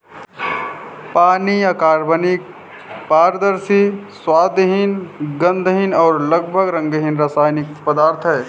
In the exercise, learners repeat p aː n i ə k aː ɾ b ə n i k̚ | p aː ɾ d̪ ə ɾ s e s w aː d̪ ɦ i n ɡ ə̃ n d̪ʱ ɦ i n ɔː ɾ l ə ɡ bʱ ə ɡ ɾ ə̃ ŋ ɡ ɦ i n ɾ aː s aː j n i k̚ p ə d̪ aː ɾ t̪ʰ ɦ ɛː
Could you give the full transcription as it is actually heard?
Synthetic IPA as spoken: p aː n i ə k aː ɾ b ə n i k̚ | p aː ɾ d̪ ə ɾ s i s w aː d̪ ɦ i n ɡ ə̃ n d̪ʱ ɦ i n ɔː ɾ l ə ɡ bʱ ə ɡ ɾ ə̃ ŋ ɡ ɦ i n ɾ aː s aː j n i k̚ p ə d̪ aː ɾ t̪ʰ ɦ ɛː